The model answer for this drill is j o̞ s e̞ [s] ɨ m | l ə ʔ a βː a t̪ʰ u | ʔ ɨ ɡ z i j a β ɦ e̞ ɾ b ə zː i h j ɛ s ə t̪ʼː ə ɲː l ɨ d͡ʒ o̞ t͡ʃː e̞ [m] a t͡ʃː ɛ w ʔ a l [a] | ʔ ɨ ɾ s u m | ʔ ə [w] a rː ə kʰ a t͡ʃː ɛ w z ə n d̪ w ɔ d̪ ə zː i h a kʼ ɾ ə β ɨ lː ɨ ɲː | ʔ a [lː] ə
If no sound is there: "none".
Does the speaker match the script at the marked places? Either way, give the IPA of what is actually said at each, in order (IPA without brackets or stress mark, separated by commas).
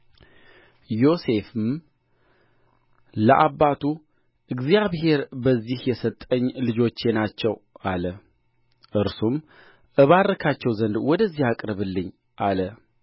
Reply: f, n, ə, β, l